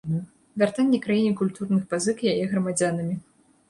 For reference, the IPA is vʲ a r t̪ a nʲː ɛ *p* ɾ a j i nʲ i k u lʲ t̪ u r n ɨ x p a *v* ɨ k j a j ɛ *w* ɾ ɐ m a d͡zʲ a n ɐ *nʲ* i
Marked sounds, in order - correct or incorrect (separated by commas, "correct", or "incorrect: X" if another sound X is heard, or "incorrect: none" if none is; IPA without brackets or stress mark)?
incorrect: k, incorrect: z, incorrect: ɣ, incorrect: mʲ